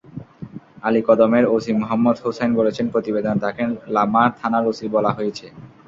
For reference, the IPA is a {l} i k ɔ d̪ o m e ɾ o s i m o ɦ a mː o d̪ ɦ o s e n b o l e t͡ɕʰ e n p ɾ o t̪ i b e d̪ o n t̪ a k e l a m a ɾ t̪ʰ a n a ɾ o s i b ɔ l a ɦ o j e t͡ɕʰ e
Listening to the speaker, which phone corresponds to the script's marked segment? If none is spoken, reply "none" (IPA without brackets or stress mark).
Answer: l